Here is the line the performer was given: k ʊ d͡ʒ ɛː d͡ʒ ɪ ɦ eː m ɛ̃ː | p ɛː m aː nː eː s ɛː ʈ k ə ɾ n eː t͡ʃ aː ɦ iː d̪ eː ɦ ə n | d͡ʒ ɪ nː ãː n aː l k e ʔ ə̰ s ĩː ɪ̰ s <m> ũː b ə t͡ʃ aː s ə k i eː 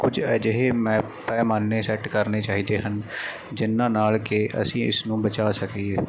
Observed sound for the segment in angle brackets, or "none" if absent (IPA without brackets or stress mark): n